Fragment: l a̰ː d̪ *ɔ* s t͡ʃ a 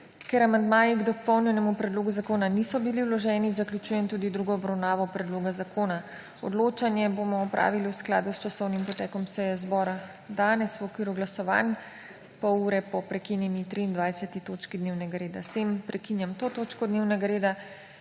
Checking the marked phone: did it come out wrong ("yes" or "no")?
yes